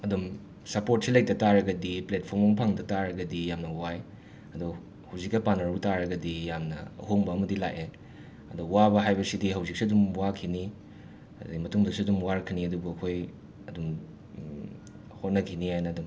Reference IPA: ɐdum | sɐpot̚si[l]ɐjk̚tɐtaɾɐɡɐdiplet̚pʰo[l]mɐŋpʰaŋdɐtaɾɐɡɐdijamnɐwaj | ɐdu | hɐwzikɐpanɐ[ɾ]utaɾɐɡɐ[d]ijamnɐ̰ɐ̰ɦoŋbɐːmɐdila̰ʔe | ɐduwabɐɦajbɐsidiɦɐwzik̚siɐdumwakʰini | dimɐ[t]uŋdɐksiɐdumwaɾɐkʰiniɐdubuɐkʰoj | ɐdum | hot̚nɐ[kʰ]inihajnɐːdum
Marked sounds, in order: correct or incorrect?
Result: correct, incorrect, correct, correct, correct, correct

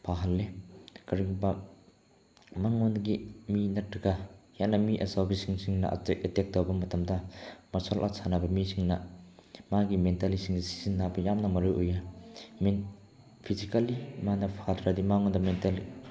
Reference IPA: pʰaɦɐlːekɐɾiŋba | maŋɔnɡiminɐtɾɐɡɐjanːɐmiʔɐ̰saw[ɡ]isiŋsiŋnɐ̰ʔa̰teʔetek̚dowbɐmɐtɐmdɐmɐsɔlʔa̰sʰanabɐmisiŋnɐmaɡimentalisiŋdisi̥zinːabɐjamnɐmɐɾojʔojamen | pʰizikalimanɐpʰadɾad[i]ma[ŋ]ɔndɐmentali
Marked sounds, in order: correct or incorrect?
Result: incorrect, correct, correct

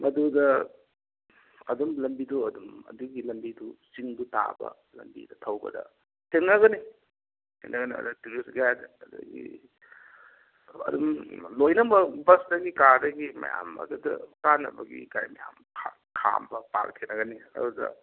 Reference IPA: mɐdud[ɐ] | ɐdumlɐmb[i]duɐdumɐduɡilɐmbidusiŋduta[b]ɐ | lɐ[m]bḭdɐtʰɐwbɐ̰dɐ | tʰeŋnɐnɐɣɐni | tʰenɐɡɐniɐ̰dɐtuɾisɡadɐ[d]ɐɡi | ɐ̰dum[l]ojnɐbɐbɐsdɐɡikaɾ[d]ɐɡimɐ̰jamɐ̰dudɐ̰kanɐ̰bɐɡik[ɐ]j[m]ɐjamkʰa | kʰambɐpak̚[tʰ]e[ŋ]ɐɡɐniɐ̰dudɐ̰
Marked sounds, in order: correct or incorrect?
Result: correct, correct, correct, correct, correct, correct, correct, incorrect, correct, correct, incorrect

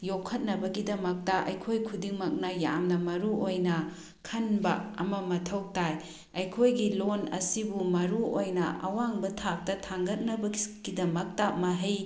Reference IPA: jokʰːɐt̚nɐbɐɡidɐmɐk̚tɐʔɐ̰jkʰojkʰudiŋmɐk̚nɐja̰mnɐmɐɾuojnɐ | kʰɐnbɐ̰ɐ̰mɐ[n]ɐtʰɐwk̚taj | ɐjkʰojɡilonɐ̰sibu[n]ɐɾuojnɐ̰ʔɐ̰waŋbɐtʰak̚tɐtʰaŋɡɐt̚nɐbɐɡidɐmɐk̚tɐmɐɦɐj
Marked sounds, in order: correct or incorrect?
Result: incorrect, incorrect

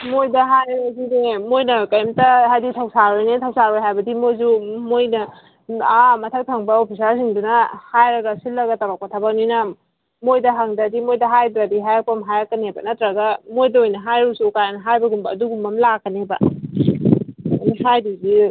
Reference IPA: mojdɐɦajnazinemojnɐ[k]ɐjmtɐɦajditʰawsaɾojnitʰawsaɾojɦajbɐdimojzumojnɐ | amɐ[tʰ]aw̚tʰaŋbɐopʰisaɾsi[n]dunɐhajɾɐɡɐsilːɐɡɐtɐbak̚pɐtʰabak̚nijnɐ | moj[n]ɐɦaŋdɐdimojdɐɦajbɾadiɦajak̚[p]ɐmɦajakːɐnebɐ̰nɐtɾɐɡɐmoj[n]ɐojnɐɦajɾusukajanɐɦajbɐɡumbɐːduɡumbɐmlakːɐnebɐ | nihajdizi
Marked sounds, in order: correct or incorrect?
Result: correct, correct, incorrect, incorrect, correct, incorrect

